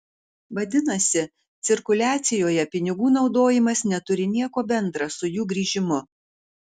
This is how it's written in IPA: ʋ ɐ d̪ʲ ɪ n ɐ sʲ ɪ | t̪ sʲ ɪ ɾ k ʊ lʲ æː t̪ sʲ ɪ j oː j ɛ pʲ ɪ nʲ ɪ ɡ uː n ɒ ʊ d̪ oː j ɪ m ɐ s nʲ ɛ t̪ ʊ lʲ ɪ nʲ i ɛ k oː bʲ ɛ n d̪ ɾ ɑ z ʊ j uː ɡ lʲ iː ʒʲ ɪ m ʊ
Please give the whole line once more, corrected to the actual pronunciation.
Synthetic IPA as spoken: ʋ ɐ d̪ʲ ɪ n ɐ sʲ ɪ | t̪ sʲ ɪ ɾ k ʊ lʲ æː t̪ sʲ ɪ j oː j ɛ pʲ ɪ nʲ ɪ ɡ uː n ɒ ʊ d̪ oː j ɪ m ɐ s nʲ ɛ t̪ ʊ ɾʲ ɪ nʲ i ɛ k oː bʲ ɛ n d̪ ɾ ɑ s ʊ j uː ɡ ɾʲ iː ʒʲ ɪ m ʊ

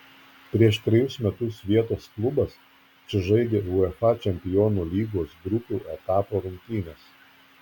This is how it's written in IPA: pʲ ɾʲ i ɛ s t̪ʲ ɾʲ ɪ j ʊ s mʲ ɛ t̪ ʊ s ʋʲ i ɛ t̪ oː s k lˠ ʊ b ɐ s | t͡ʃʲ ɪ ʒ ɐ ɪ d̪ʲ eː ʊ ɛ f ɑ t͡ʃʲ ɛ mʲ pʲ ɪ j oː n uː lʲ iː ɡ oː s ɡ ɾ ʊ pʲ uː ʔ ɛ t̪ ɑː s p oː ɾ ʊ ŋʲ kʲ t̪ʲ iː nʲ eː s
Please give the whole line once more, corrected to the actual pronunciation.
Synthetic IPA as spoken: pʲ ɾʲ i ɛ ʃ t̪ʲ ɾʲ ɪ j ʊ s mʲ ɛ t̪ ʊ s ʋʲ i ɛ t̪ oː s k lˠ ʊ b ɐ s | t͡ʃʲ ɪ ʒ ɐ ɪ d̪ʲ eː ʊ ɛ f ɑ t͡ʃʲ ɛ mʲ pʲ ɪ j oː n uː lʲ iː ɡ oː s ɡ ɾ ʊ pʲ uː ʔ ɛ t̪ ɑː p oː ɾ ʊ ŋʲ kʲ t̪ʲ iː nʲ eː s

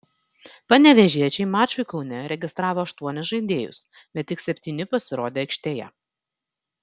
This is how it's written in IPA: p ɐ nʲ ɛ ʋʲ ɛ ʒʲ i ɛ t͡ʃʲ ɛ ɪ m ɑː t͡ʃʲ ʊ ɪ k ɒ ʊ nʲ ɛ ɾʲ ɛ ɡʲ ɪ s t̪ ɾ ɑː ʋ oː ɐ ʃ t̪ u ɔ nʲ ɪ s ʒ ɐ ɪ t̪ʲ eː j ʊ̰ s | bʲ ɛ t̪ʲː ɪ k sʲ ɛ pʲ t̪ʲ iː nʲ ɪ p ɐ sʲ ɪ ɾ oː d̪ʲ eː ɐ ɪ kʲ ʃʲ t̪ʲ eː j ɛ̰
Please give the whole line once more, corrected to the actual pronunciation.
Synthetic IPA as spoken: p ɐ nʲ ɛ ʋʲ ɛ ʒʲ i ɛ t͡ʃʲ ɛ ɪ m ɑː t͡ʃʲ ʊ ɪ k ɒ ʊ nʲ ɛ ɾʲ ɛ ɡʲ ɪ s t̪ ɾ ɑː ʋ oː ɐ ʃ t̪ u ɔ nʲ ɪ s ʒ ɐ ɪ d̪ʲ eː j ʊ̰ s | bʲ ɛ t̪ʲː ɪ k sʲ ɛ pʲ t̪ʲ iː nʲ ɪ p ɐ sʲ ɪ ɾ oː d̪ʲ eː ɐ ɪ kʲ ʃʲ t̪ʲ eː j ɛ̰

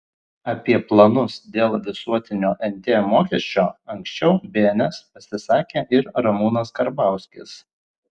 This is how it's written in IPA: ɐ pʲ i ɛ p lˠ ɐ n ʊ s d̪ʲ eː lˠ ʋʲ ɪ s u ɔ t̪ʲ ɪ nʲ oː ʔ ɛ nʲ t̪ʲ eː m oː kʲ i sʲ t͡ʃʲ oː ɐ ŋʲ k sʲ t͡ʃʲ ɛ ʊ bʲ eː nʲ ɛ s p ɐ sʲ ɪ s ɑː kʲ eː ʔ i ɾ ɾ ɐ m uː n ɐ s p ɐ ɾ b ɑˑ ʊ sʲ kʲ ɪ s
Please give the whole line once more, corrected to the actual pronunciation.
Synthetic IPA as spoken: ɐ pʲ i ɛ p lˠ ɐ n ʊ s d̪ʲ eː lˠ ʋʲ ɪ s u ɔ t̪ʲ ɪ nʲ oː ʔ ɛ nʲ t̪ʲ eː m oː kʲ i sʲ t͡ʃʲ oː ɐ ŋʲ k sʲ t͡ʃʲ ɛ ʊ bʲ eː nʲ ɛ s p ɐ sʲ ɪ s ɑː kʲ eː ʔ ɪ ɾ ɾ ɐ m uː n ɐ s k ɐ ɾ b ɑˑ ʊ sʲ kʲ ɪ s

